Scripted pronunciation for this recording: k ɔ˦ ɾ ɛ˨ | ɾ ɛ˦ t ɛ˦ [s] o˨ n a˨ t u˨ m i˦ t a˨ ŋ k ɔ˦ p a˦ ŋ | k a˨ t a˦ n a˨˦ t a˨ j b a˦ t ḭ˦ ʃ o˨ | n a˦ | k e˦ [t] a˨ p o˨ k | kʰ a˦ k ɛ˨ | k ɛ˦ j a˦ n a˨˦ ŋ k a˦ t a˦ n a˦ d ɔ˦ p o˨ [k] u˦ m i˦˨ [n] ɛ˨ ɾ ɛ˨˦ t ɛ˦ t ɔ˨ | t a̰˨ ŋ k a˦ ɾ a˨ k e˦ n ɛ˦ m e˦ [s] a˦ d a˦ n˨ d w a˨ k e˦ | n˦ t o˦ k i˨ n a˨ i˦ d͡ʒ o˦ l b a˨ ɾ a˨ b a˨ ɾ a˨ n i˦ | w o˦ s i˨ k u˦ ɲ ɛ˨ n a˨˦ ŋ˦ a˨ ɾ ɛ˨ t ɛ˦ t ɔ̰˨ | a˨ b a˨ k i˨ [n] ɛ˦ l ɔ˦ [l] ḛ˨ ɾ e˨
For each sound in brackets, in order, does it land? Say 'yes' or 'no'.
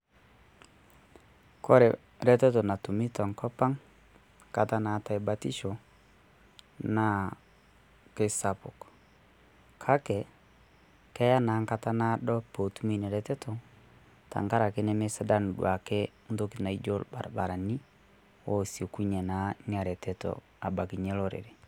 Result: no, no, no, yes, yes, no, no

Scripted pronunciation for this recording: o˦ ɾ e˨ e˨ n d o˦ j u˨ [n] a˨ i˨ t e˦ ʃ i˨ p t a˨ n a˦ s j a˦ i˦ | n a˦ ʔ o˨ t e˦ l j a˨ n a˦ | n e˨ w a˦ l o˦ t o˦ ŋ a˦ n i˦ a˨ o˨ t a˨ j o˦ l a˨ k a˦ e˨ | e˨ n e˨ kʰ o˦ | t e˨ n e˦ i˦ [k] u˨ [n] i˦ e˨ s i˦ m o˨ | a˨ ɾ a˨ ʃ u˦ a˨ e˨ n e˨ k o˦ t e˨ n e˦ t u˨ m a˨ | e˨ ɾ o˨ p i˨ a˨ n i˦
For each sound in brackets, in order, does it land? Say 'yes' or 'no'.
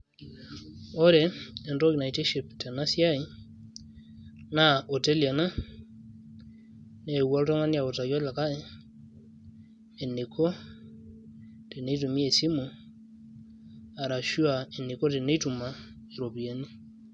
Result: yes, no, no

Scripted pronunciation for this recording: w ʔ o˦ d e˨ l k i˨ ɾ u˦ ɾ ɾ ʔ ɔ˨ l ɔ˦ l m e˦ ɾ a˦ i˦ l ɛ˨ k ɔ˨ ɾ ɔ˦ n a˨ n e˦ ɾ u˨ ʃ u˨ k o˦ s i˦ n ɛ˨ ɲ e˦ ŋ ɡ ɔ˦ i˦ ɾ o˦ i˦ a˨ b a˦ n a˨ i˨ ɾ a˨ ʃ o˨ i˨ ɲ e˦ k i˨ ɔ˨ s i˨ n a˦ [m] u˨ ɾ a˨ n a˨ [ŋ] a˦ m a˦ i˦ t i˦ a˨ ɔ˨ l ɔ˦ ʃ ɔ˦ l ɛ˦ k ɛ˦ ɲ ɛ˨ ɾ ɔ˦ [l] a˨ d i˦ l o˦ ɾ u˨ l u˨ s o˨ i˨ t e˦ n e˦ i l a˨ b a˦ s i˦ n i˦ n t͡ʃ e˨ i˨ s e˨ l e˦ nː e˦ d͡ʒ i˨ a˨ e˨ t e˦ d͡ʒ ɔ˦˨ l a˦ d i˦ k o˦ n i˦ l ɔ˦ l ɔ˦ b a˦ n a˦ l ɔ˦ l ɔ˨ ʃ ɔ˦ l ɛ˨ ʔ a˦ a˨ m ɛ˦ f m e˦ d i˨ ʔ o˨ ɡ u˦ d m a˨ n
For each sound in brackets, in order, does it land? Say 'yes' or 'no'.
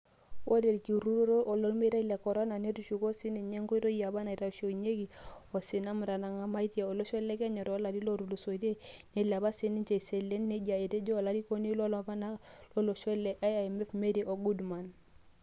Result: yes, yes, yes

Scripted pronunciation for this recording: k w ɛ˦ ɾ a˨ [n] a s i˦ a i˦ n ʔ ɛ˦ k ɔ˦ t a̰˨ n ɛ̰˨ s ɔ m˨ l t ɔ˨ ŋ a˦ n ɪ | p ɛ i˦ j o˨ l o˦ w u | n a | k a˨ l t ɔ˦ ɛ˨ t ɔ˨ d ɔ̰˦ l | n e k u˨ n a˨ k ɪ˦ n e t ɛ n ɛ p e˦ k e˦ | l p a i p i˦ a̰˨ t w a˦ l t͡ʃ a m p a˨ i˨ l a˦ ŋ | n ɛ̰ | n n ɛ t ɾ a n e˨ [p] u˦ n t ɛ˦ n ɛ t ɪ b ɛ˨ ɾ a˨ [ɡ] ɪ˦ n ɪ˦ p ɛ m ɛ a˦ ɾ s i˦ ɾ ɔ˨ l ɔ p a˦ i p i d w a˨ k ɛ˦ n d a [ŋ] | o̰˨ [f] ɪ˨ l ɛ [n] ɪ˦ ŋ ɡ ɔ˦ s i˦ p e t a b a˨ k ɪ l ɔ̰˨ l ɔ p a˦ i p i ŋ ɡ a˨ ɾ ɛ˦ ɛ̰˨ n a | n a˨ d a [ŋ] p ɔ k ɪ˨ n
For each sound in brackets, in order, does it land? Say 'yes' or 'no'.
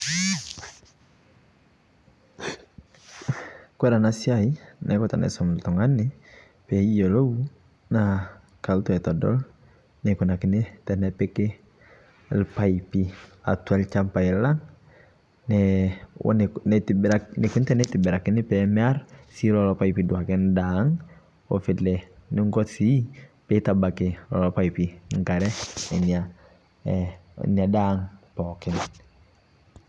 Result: yes, no, no, yes, yes, yes, yes

